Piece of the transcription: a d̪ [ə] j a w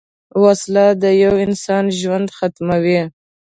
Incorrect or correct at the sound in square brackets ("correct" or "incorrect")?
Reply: correct